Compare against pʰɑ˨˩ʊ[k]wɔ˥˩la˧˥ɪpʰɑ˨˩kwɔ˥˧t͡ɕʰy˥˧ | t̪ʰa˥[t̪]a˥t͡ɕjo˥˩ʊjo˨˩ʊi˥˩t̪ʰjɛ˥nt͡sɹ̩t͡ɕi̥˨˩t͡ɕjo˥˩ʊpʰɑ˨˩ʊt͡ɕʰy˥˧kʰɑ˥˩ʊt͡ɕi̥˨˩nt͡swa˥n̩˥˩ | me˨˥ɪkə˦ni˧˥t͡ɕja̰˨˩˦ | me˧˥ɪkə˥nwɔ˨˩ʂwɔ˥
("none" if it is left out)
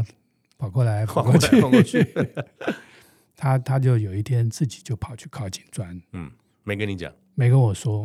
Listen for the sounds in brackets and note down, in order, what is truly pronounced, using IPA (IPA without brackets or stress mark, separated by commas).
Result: k, t̪ʰ